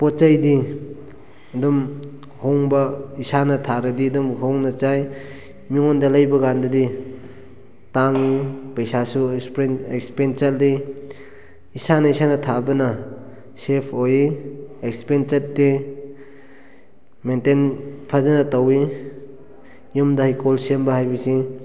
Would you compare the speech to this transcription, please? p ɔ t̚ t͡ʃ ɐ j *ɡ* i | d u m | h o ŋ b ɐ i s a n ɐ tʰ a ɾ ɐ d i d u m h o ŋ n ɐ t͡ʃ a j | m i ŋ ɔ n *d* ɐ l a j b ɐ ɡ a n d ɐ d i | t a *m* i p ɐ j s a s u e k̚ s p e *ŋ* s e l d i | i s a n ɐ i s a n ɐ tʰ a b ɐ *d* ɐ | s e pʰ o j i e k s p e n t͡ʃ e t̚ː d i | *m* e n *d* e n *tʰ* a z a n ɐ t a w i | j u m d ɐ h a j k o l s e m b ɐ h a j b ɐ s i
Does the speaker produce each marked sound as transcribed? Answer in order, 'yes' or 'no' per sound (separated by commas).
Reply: no, yes, no, no, no, yes, no, no